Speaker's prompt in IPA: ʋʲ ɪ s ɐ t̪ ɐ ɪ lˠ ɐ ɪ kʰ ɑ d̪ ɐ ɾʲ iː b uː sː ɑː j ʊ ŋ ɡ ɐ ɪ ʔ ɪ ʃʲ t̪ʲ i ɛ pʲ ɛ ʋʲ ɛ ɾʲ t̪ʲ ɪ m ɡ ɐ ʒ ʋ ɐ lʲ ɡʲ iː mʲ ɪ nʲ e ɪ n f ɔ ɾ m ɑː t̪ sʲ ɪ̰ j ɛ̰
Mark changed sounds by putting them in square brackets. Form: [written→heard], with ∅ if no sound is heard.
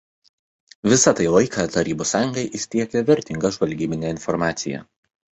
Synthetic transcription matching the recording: ʋʲ ɪ s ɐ t̪ ɐ ɪ lˠ ɐ ɪ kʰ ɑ [d̪→t̪] ɐ ɾʲ iː b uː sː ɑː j ʊ ŋ ɡ ɐ ɪ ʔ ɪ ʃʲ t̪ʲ i ɛ [pʲ→kʲ] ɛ ʋʲ ɛ ɾʲ t̪ʲ ɪ [m→ŋ] ɡ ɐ ʒ ʋ ɐ lʲ ɡʲ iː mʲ ɪ nʲ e ɪ n f ɔ ɾ m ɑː t̪ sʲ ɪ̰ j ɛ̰